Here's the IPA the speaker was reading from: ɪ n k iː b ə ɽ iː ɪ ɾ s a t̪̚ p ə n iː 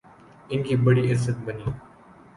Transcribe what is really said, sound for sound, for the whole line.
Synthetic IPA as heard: ɪ n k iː b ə ɽ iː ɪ ɾ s ə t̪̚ b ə n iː